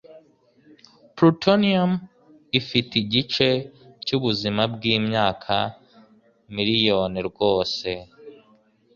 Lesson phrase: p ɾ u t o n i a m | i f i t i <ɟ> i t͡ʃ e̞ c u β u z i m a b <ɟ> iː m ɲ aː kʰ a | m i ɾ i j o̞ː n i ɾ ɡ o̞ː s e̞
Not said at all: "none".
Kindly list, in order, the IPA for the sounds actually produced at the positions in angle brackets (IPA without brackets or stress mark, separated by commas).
ɟ, ɡ